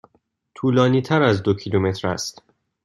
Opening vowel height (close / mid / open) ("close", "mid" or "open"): close